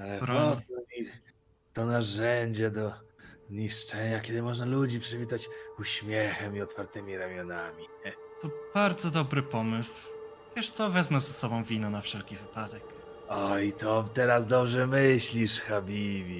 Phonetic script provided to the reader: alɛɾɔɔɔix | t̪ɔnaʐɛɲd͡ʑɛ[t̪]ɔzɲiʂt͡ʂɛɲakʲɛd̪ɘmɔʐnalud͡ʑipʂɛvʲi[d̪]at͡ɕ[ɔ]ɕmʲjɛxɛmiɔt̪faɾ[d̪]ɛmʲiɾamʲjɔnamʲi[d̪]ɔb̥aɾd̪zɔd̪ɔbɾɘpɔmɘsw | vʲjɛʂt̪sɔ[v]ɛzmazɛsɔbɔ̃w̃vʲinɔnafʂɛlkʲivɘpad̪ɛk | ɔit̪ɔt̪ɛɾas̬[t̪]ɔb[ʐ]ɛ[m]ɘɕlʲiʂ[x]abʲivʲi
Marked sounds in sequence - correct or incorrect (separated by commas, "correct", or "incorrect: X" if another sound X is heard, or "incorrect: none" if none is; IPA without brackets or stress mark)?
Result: incorrect: d̪, incorrect: t̪, incorrect: u, incorrect: t̪, incorrect: t̪, correct, incorrect: d̪, correct, correct, correct